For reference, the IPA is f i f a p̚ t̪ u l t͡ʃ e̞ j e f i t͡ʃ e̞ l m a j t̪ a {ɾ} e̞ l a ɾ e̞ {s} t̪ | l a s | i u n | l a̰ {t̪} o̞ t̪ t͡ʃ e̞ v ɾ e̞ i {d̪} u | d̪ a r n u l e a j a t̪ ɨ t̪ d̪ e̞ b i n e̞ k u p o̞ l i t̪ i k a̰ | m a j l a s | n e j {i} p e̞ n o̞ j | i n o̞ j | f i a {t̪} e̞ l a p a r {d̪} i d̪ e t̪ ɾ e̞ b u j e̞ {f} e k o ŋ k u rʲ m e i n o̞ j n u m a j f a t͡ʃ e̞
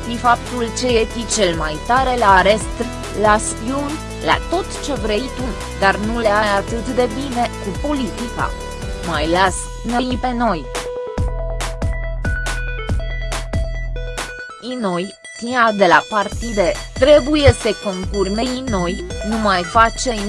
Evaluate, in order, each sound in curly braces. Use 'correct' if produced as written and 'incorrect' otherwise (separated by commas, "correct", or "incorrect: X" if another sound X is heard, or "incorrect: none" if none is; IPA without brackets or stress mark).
correct, correct, correct, incorrect: t̪, correct, incorrect: d̪, incorrect: t̪, incorrect: s